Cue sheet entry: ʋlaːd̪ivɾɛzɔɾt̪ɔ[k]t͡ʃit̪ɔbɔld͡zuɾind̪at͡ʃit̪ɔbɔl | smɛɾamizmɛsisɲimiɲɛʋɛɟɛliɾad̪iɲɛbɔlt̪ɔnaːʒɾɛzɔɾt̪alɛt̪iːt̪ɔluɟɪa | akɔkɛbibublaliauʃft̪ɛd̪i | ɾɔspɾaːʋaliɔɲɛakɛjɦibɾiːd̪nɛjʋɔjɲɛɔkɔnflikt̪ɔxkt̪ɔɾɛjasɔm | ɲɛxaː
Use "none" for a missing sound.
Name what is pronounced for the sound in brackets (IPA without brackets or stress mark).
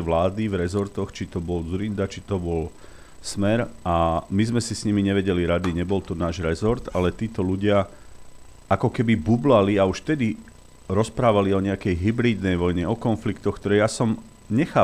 x